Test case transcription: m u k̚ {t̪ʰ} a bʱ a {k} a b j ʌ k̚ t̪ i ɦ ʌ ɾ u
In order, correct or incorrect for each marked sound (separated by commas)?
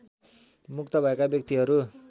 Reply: incorrect, correct